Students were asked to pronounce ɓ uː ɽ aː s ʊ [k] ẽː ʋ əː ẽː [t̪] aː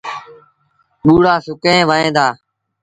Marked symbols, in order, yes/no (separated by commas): yes, no